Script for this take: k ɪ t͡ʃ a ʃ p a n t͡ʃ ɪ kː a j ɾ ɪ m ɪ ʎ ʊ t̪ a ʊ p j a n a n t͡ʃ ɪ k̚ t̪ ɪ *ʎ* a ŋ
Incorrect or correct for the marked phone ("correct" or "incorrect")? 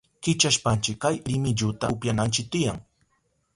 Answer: incorrect